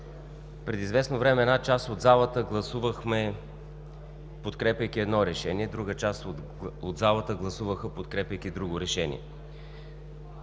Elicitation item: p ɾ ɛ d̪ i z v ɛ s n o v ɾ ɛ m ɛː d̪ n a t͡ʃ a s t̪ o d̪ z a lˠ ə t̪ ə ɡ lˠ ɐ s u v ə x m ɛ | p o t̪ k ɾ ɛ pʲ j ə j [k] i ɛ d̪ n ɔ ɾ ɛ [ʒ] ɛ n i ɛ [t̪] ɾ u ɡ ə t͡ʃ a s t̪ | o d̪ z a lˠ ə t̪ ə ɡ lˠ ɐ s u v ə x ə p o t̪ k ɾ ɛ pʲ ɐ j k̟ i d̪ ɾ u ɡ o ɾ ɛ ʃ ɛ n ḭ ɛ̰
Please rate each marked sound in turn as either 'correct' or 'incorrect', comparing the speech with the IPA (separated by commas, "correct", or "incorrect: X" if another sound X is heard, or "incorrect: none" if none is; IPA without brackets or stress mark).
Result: correct, incorrect: ʃ, incorrect: d̪